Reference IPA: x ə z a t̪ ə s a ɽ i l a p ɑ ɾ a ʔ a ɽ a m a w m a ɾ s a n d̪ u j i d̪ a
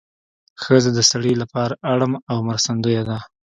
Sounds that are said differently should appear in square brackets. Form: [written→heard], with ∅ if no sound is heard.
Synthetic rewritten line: x ə z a [t̪→d̪] ə s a ɽ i l a p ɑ ɾ a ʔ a ɽ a m a w m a ɾ s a n d̪ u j [i→a] d̪ a